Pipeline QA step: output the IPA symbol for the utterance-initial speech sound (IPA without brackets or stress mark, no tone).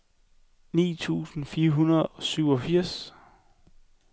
n